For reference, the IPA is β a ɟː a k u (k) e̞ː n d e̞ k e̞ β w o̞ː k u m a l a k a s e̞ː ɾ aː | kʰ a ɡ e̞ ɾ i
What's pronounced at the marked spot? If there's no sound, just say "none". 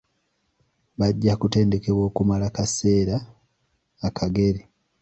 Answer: t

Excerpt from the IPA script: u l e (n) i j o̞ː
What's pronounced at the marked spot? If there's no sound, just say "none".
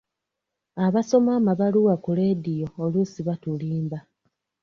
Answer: d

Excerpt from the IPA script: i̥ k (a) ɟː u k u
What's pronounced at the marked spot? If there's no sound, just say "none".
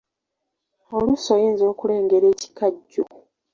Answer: a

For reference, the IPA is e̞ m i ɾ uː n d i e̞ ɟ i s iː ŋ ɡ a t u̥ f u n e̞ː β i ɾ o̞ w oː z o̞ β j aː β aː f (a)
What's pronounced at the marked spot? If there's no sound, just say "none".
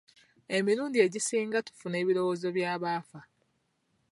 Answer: a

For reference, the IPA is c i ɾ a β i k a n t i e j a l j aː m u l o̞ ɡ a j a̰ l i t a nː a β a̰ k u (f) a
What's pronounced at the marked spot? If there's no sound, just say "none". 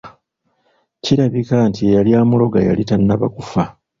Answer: f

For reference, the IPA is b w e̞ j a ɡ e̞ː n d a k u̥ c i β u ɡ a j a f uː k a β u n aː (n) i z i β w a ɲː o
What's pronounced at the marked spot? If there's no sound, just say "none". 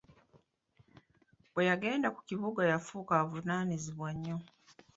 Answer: n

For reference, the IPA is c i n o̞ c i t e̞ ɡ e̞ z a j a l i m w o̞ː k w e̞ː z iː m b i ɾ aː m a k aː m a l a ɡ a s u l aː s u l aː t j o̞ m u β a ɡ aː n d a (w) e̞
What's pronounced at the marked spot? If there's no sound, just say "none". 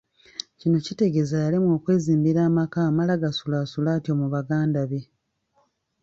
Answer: β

